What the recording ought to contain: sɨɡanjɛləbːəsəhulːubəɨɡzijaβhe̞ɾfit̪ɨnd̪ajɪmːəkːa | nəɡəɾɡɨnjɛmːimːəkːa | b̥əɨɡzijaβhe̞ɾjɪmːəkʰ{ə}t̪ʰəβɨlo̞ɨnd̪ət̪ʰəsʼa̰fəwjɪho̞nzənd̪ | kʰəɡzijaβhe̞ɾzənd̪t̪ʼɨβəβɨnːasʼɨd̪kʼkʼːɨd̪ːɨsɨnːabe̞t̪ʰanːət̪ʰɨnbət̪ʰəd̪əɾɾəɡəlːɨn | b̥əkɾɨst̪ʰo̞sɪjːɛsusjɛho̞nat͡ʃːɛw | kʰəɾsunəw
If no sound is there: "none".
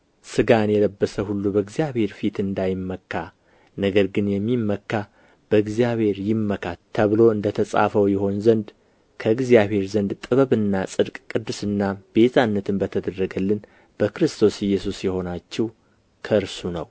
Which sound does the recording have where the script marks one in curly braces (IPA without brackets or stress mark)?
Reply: a